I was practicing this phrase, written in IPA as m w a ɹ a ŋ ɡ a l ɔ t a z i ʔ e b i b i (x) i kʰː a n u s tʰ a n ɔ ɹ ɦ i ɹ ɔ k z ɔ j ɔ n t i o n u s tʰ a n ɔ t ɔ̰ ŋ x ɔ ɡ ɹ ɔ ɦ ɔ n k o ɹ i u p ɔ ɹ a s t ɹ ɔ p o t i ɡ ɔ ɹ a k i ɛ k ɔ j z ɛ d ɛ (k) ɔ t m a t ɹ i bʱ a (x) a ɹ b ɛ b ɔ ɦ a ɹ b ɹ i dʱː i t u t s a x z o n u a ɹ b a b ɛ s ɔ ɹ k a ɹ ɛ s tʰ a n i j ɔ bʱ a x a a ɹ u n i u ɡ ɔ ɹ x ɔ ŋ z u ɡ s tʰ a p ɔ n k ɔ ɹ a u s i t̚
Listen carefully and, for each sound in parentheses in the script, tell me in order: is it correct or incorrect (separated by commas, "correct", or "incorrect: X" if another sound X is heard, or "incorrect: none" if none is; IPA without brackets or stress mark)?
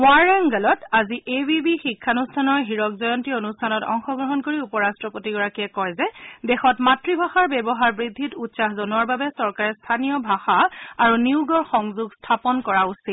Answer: correct, incorrect: x, correct